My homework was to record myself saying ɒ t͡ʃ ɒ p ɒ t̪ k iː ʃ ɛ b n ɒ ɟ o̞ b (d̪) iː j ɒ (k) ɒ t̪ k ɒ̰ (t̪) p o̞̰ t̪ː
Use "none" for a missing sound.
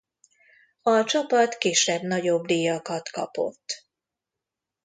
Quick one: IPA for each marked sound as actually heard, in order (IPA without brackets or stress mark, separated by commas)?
d̪, k, none